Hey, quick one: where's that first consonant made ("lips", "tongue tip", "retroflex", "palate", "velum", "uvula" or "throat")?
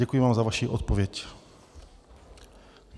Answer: velum